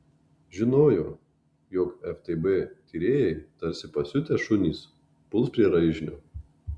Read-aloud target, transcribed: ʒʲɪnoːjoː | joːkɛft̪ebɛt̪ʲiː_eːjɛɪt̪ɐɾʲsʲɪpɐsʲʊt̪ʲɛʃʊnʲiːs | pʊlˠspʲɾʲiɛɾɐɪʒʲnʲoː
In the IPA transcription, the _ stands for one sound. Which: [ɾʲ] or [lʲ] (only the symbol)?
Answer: ɾʲ